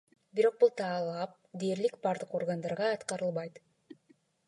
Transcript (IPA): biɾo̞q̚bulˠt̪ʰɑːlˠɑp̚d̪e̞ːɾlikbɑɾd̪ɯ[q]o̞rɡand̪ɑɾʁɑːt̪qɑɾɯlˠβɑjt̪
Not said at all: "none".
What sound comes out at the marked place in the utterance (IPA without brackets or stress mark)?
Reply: q